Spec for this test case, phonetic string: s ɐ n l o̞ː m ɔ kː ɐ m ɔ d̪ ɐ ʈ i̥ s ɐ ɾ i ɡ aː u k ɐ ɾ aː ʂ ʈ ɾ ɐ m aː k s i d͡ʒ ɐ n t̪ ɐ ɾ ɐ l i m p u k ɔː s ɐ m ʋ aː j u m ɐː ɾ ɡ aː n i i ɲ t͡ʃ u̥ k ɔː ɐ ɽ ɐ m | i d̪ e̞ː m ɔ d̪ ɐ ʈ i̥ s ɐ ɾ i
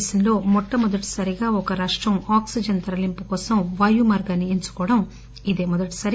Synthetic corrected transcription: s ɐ n l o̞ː m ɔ ʈː ɐ m ɔ d̪ ɐ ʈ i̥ s ɐ ɾ i ɡ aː ɔ k ɐ ɾ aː ʂ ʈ ɾ ɐ m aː k s i d͡ʒ ɐ n t̪ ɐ ɾ ɐ l i m p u k ɔː s ɐ m ʋ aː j u m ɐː ɾ ɡ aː n i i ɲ t͡ʃ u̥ k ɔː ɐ ɽ ɐ m | i d̪ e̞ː m ɔ d̪ ɐ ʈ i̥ s ɐ ɾ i

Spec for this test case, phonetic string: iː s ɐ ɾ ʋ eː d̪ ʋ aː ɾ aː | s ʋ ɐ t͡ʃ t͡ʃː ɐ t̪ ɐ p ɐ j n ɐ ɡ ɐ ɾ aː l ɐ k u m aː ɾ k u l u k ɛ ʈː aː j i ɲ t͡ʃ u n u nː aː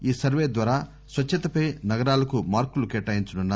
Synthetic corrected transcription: iː s ɐ ɾ ʋ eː d̪ ʋ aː ɾ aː | s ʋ ɐ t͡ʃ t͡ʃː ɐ t̪ ɐ p ɐ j n ɐ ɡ ɐ ɾ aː l ɐ k u m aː ɾ k u l u k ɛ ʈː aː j i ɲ t͡ʃ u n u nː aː

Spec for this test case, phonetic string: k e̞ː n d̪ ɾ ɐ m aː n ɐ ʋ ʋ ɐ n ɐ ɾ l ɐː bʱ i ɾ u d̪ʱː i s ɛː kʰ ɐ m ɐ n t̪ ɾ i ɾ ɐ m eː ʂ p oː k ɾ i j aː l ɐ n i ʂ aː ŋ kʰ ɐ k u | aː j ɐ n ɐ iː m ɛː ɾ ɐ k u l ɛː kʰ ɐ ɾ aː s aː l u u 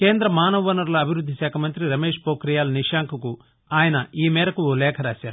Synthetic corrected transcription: k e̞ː n d̪ ɾ ɐ m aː n ɐ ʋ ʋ ɐ n ɐ ɾ l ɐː bʱ i ɾ u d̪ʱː i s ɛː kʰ ɐ m ɐ n t̪ ɾ i ɾ ɐ m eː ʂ p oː k ɾ i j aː l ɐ n i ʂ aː ŋ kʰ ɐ k u | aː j ɐ n ɐ iː m ɛː ɾ ɐ k u l ɛː kʰ ɐ ɾ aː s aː ɾ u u

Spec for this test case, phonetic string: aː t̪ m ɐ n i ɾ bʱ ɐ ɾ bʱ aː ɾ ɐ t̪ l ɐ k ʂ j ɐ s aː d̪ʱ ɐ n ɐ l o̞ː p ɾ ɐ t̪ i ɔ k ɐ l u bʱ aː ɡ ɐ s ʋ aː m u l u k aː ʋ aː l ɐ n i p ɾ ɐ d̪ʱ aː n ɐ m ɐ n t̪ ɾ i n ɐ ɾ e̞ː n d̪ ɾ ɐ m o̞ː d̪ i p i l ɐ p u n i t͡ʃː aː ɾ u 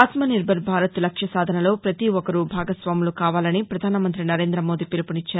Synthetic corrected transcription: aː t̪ m ɐ n i ɾ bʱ ɐ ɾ bʱ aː ɾ ɐ t̪ l ɐ k ʂ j ɐ s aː d̪ʱ ɐ n ɐ l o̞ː p ɾ ɐ t̪ i ɔ k ɐ ɾ u bʱ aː ɡ ɐ s ʋ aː m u l u k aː ʋ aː l ɐ n i p ɾ ɐ d̪ʱ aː n ɐ m ɐ n t̪ ɾ i n ɐ ɾ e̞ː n d̪ ɾ ɐ m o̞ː d̪ i p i l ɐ p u n i t͡ʃː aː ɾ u

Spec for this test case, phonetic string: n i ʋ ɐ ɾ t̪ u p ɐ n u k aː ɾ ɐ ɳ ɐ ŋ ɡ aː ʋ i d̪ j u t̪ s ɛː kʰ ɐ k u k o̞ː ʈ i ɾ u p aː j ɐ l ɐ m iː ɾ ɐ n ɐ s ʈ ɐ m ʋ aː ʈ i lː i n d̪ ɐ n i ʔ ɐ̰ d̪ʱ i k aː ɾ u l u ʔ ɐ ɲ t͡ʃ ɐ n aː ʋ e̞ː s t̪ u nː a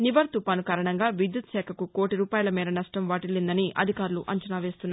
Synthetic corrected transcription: n i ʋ ɐ ɾ t̪ u p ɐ n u k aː ɾ ɐ ɳ ɐ ŋ ɡ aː ʋ i d̪ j u t̪ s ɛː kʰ ɐ k u k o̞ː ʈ i ɾ uː p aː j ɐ l ɐ m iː ɾ ɐ n ɐ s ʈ ɐ m ʋ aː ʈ i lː i n d̪ ɐ n i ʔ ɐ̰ d̪ʱ i k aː ɾ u l u ʔ ɐ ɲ t͡ʃ ɐ n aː ʋ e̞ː s t̪ u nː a

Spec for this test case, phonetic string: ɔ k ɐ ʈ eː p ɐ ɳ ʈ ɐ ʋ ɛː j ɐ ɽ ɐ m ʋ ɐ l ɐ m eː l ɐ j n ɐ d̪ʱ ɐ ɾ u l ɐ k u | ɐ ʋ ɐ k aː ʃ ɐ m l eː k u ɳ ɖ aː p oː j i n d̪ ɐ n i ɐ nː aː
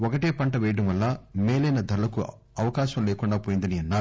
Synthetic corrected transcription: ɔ k ɐ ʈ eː p ɐ ɳ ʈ ɐ ʋ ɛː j ɐ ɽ ɐ m ʋ ɐ lː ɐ m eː l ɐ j n ɐ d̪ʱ ɐ ɾ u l ɐ k u | ɐ ʋ ɐ k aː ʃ ɐ m l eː k u ɳ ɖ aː p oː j i n d̪ ɐ n i ɐ nː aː

